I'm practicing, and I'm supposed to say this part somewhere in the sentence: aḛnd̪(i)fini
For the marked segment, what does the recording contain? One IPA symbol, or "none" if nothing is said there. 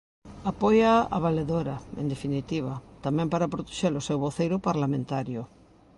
e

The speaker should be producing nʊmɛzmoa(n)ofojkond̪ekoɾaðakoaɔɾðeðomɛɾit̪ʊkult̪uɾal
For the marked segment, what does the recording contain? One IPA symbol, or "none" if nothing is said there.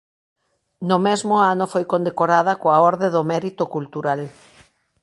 n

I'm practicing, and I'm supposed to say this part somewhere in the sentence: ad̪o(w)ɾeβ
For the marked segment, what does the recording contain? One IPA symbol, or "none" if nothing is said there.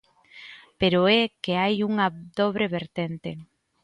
β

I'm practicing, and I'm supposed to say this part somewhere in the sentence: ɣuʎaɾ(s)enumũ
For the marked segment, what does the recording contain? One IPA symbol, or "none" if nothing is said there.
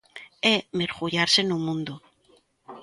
s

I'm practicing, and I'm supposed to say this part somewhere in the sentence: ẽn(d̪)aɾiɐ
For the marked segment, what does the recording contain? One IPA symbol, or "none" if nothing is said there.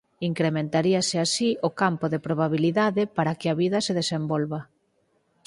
t̪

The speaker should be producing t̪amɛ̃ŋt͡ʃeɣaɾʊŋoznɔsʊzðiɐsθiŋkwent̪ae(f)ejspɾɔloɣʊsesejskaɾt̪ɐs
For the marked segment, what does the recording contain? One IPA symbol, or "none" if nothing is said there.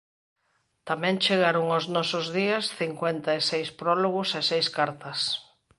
s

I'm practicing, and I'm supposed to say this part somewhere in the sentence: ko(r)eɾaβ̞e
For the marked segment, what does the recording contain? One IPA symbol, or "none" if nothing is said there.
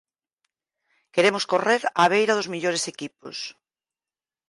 r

